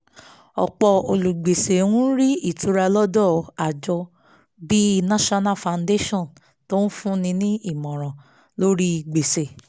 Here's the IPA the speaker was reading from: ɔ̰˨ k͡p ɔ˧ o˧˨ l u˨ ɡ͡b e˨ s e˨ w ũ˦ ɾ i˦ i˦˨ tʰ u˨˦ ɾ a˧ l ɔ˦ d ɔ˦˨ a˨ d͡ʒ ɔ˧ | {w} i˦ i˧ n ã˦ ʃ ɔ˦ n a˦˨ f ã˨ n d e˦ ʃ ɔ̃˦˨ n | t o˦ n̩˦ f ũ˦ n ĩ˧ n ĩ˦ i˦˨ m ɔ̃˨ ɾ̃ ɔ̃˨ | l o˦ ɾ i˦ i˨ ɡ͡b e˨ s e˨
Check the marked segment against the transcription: incorrect: b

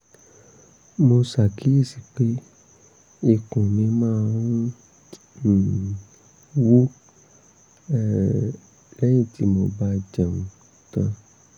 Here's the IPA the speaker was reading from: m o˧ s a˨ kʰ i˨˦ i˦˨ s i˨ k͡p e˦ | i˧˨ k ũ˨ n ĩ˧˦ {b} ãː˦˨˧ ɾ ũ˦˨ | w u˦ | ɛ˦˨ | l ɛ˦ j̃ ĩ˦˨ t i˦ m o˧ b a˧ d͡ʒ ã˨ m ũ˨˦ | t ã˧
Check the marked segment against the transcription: incorrect: m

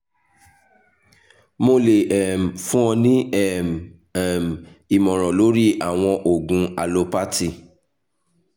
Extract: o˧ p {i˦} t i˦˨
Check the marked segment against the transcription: incorrect: a˦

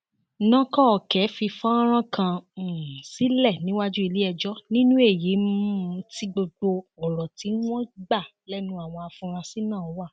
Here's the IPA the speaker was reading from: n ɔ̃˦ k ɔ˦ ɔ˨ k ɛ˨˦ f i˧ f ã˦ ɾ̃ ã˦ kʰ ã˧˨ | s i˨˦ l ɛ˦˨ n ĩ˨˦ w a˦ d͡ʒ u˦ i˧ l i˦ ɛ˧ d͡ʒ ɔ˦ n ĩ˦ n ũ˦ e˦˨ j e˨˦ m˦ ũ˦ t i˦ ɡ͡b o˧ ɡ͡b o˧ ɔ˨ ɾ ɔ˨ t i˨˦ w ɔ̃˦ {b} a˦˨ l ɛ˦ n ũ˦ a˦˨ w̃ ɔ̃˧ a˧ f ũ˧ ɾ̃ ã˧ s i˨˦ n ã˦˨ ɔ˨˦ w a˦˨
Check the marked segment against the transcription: incorrect: ɡ͡b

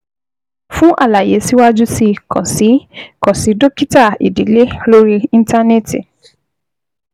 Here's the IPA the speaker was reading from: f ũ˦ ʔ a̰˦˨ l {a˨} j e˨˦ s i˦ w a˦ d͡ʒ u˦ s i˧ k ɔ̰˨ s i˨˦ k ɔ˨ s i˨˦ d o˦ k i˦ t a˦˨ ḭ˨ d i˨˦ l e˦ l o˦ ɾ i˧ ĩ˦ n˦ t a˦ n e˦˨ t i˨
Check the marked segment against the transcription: correct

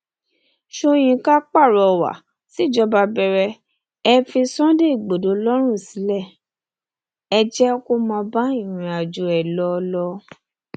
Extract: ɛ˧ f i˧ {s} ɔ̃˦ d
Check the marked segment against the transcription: correct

